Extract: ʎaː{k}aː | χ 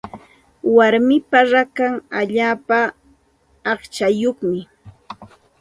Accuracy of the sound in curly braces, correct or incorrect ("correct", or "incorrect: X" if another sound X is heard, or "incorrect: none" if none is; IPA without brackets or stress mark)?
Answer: incorrect: p